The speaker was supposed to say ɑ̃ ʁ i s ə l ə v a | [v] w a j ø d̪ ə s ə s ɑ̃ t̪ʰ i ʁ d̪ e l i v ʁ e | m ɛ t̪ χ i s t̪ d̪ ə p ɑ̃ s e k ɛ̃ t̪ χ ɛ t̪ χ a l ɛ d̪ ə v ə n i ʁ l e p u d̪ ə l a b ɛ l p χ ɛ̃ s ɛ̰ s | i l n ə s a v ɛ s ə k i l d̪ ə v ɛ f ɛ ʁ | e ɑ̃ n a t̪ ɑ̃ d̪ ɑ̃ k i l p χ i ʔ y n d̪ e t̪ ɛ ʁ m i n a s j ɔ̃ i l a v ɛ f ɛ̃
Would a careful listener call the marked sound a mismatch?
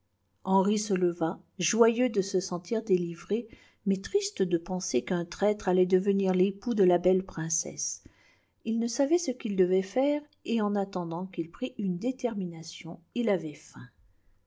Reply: yes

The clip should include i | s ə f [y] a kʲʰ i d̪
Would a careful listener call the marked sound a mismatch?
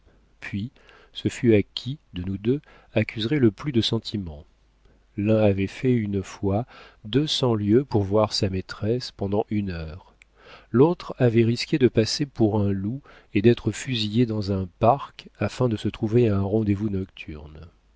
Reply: no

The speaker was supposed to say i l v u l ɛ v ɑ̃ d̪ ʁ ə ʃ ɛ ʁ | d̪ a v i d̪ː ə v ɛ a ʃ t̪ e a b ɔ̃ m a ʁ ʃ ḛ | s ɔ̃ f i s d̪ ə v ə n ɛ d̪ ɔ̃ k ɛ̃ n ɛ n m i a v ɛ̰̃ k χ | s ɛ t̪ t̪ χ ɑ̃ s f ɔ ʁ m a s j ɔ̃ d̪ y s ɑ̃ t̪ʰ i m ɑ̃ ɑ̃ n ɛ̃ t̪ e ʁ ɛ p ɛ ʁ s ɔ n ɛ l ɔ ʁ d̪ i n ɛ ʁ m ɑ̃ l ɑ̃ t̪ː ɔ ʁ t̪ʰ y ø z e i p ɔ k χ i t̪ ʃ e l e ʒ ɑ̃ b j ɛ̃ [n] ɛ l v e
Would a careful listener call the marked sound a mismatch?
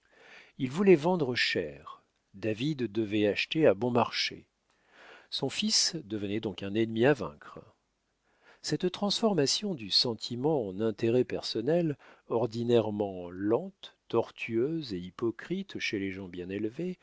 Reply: no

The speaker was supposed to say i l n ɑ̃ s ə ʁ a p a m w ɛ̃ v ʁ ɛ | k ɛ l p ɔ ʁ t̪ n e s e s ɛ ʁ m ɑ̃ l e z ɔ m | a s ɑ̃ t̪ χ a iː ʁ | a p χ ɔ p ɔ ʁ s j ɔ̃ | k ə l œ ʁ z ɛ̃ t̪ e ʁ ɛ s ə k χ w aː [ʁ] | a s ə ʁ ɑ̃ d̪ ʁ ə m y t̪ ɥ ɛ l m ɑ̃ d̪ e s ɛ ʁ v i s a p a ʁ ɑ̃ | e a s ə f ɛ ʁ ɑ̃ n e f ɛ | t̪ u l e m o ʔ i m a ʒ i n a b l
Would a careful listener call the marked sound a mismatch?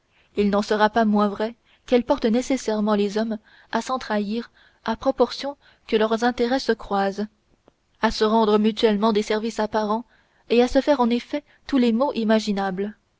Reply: yes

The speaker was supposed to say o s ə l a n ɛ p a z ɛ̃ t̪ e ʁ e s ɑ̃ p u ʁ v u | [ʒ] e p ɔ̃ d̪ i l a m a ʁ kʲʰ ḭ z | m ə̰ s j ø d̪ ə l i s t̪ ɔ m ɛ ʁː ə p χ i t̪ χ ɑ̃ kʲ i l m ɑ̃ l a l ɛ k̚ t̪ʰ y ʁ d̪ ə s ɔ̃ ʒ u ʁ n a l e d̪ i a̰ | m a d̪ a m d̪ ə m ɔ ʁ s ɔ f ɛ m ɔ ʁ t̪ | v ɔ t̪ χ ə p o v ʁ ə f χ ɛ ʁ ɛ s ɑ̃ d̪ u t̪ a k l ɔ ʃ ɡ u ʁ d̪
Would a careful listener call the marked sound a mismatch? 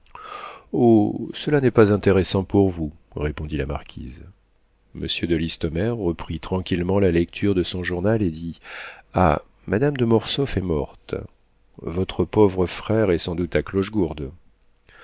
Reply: yes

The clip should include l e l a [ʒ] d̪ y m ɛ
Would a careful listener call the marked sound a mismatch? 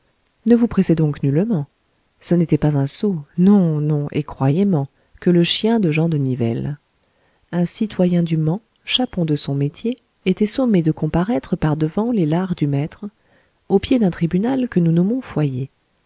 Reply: yes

